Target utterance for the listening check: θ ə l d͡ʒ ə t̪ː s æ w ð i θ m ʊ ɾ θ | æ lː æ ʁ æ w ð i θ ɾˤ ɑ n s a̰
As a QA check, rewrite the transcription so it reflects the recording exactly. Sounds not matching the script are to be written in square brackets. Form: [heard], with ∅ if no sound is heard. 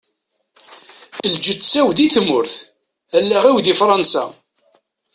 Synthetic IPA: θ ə l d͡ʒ ə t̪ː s æ w ð i θ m ʊ ɾ θ | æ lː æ ʁ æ w ð i [f] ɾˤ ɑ n s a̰